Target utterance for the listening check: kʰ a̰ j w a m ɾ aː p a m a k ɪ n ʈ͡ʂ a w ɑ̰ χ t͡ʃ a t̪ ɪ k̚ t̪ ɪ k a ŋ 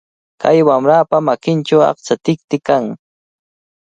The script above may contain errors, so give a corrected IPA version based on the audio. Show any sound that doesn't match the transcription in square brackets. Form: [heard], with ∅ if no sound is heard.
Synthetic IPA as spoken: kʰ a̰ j w a m ɾ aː p a m a k ɪ n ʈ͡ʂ a w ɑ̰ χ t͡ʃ a t̪ ɪ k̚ t̪ ɪ k a ŋ